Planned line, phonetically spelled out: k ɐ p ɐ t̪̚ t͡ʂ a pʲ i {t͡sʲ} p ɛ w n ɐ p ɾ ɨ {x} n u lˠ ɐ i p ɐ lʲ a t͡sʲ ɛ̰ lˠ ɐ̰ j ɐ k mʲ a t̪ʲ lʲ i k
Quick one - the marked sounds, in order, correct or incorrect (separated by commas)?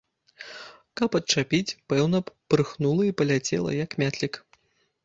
correct, correct